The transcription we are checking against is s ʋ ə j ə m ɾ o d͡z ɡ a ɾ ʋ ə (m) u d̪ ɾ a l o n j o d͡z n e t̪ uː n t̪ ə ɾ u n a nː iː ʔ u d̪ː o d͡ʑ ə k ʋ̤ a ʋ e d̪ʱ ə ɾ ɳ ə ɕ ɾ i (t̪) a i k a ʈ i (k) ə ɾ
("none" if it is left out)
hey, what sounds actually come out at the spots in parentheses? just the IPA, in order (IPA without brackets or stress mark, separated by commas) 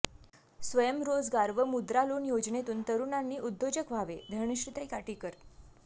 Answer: m, t̪, k